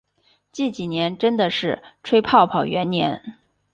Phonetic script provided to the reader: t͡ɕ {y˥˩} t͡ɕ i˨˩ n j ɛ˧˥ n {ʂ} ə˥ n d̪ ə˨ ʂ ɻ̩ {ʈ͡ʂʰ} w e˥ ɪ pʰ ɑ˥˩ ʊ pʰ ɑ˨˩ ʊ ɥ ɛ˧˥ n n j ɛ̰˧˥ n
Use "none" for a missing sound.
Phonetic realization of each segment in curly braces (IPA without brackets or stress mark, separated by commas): i˥˩, ʈ͡ʂ, ʈ͡ʂʰ